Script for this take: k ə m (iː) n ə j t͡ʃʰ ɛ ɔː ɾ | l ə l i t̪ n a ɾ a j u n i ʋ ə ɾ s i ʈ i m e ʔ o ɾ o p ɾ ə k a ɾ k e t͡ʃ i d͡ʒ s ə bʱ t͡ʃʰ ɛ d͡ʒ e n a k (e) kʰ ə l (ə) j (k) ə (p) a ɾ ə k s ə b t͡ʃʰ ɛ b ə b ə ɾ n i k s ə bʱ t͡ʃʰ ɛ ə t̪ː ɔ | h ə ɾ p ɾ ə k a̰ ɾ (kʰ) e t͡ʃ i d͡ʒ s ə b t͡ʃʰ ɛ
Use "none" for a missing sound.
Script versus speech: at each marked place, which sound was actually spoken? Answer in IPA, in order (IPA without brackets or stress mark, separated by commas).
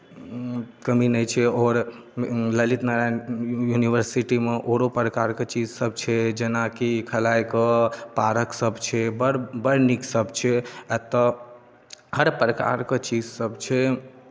i, i, a, k, p, k